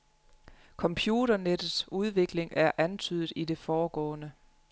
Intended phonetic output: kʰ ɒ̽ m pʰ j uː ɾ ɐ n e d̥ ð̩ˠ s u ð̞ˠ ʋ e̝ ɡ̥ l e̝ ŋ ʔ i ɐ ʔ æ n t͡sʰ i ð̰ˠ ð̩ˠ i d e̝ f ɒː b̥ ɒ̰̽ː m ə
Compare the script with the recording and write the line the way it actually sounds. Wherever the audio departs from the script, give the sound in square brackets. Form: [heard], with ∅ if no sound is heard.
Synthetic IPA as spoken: kʰ ɒ̽ m pʰ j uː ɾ ɐ n e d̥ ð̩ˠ s u ð̞ˠ ʋ e̝ ɡ̥ l e̝ ŋ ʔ [æ] ɐ ʔ æ n t͡sʰ [y] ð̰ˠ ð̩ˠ i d e̝ f ɒː [ɡ̥] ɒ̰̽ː [n] ə